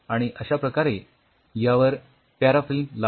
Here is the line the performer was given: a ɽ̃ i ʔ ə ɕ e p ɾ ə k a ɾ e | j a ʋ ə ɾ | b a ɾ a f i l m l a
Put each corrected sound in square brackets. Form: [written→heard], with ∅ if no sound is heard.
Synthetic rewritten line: a ɽ̃ i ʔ ə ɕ [e→a] p ɾ ə k a ɾ e | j a ʋ ə ɾ | [b→p] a ɾ a f i l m l a